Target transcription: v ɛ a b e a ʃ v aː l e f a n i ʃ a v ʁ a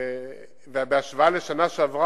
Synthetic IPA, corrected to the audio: v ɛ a b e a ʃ v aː l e ʃ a n a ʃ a v ʁ a